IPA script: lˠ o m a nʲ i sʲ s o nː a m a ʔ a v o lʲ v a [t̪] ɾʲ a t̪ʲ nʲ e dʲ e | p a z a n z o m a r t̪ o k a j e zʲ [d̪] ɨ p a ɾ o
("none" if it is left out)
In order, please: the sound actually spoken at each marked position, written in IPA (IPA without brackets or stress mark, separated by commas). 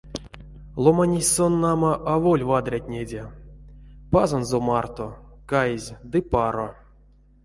d̪, d̪